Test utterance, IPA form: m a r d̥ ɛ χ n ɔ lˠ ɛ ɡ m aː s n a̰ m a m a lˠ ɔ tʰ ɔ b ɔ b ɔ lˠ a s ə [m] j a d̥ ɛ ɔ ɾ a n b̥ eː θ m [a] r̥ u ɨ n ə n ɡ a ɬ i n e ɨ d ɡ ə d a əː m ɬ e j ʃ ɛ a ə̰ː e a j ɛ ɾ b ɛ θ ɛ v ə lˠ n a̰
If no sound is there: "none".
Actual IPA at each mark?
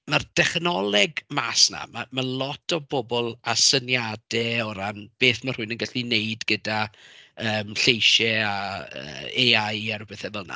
n, a

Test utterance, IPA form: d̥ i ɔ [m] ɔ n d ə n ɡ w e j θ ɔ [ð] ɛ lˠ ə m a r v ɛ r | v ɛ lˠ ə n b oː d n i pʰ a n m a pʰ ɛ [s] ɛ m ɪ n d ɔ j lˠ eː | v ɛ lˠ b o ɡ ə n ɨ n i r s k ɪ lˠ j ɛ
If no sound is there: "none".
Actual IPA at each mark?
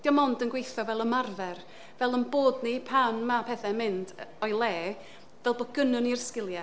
m, v, θ

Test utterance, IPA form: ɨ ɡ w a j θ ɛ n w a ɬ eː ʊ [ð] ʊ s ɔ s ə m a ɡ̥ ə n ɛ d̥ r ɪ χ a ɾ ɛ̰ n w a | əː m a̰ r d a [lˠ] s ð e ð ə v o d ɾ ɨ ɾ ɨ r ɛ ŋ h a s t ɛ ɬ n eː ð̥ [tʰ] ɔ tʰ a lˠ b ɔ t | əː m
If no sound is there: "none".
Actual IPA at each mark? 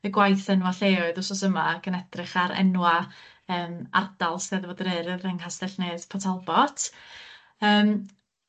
ð, lˠ, pʰ

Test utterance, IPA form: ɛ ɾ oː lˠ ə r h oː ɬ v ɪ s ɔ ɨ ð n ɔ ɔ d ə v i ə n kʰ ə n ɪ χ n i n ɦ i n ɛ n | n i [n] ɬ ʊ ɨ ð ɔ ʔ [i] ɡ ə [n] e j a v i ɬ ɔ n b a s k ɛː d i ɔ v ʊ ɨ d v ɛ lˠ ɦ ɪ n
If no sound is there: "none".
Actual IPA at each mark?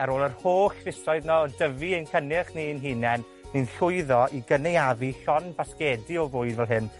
n, i, n

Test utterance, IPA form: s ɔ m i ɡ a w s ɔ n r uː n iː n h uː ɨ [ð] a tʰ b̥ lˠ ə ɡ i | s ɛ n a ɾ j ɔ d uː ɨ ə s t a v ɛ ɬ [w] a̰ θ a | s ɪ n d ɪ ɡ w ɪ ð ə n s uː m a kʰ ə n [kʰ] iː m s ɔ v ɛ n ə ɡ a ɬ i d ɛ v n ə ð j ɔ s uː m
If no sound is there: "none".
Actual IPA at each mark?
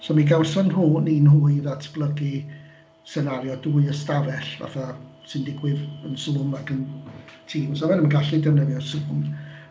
ð, v, tʰ

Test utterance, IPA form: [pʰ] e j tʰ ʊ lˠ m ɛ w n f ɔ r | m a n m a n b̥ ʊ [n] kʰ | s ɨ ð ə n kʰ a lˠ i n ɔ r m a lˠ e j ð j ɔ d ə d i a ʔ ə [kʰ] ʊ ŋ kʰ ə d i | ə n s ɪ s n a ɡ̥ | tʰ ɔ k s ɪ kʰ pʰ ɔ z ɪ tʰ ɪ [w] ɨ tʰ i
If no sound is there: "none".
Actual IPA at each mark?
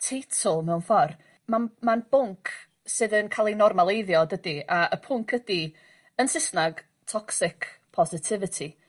tʰ, ŋ, pʰ, v

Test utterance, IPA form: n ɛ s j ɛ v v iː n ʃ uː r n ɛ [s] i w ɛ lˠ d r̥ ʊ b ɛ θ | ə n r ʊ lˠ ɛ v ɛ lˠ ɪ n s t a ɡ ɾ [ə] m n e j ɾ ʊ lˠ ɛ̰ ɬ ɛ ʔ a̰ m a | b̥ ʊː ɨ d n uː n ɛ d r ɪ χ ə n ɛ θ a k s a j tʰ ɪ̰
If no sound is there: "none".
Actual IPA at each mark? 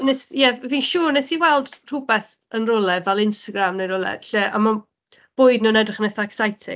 s, a

